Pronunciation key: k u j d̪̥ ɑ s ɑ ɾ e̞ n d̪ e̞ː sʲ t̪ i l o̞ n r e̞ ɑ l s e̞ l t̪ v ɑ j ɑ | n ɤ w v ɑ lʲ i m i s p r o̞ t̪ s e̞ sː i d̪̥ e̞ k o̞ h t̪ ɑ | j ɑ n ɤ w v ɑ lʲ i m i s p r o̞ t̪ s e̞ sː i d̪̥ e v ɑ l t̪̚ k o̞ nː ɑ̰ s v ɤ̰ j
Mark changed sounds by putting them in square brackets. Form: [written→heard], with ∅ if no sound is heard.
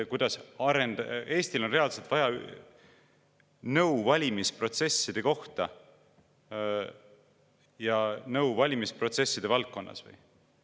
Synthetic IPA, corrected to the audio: k u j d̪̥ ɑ s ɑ ɾ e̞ n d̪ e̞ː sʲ t̪ i l o̞ n r e̞ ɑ l s e̞ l t̪ v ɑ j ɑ | n ɤ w v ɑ lʲ i m i s p r o̞ t̪ s e̞ sː i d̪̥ e̞ k o̞ h t̪ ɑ | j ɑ n ɤ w v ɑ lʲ i m i s p r o̞ t̪ s e̞ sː i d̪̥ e v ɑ l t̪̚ k o̞ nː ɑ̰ s v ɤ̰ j